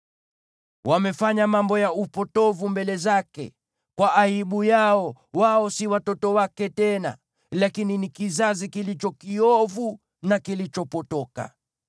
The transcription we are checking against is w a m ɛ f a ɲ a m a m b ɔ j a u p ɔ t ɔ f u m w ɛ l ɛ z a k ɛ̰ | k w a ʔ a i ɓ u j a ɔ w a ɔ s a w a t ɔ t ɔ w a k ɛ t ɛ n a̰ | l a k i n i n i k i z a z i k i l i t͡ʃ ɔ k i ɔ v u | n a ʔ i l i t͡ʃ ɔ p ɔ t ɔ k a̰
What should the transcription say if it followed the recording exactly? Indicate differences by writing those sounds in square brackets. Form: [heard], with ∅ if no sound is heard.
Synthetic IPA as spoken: w a m ɛ f a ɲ a m a m b ɔ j a u p ɔ t ɔ [v] u m [b] ɛ l ɛ z a k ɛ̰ | k w a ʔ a i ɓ u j a ɔ w a ɔ s [i] w a t ɔ t ɔ w a k ɛ t ɛ n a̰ | l a k i n i n i k i z a z i k i l i t͡ʃ ɔ k i ɔ v u | n a [k] i l i t͡ʃ ɔ p ɔ t ɔ k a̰